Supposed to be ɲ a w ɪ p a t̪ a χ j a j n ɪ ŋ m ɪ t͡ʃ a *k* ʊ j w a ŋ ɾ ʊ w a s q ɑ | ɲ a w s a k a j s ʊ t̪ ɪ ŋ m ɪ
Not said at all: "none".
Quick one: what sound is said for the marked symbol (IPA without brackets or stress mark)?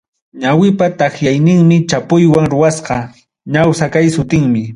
p